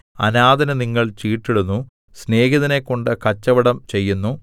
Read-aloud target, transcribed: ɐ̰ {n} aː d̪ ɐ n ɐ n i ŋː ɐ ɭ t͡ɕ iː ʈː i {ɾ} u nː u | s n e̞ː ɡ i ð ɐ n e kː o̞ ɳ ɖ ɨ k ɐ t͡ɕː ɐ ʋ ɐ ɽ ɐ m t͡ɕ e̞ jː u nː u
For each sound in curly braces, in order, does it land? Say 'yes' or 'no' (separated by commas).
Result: yes, no